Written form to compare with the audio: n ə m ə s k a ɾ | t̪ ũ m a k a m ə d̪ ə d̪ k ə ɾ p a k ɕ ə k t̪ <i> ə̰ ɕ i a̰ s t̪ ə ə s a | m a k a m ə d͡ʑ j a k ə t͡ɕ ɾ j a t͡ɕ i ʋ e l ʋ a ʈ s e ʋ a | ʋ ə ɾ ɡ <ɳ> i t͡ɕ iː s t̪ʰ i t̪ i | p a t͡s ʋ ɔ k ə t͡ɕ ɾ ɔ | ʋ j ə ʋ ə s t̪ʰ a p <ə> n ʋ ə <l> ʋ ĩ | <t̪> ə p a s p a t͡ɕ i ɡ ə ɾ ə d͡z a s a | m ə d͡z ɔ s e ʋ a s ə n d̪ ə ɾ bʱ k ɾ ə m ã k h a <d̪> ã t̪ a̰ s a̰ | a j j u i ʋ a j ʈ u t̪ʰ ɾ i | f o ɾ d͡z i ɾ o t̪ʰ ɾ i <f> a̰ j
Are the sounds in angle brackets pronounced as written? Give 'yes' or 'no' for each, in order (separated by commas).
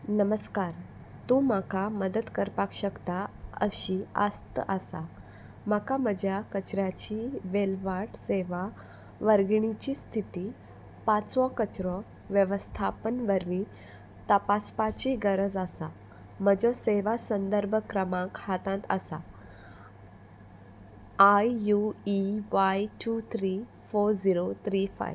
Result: no, yes, yes, no, yes, no, yes